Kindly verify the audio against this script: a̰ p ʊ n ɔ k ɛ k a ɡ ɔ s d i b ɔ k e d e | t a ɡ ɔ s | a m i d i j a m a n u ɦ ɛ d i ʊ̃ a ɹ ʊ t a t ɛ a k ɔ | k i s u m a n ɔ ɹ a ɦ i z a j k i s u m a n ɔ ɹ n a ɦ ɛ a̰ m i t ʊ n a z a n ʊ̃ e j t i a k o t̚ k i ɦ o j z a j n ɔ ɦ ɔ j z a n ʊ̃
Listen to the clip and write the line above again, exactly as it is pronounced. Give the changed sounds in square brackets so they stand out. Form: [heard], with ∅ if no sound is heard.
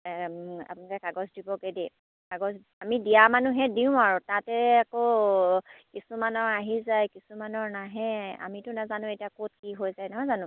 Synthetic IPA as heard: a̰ p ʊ n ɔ k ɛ k a ɡ ɔ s d i b ɔ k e d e | [k] a ɡ ɔ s | a m i d i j a m a n u ɦ ɛ d i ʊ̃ a ɹ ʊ t a t ɛ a k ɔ | k i s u m a n ɔ ɹ a ɦ i z a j k i s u m a n ɔ ɹ n a ɦ ɛ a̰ m i t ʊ n a z a n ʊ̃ e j t i a k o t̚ k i ɦ o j z a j n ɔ ɦ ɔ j z a n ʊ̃